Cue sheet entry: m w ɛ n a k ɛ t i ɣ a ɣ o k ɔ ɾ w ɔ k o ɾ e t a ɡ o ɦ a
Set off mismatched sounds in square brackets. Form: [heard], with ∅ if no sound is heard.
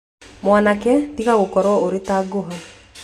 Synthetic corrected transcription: m w [a] n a k ɛ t i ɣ a ɣ o k ɔ ɾ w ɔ [∅] o ɾ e t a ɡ o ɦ a